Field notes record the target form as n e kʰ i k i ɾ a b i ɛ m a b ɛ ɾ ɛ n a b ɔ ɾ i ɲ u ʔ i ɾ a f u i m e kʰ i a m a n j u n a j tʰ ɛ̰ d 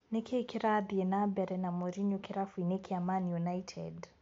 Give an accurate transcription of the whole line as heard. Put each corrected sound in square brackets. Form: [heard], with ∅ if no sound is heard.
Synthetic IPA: n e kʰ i k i ɾ a b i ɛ [n] a b ɛ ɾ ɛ n a [m] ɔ ɾ i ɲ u [k] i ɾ a f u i [n] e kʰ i a m a n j u n a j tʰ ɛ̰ d